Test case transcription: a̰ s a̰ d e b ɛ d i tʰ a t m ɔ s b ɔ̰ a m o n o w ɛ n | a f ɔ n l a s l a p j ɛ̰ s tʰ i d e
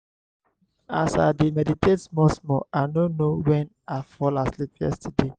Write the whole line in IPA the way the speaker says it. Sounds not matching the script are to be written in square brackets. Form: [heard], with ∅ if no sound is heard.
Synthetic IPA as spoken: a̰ s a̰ d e [m] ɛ d i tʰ [e] t m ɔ s [m] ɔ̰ a [n] o n o w ɛ n | a f ɔ [∅] l a s l [i] p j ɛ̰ s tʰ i d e